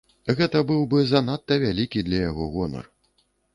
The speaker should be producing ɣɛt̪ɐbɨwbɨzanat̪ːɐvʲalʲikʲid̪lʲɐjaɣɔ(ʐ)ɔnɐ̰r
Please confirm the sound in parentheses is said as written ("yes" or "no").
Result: no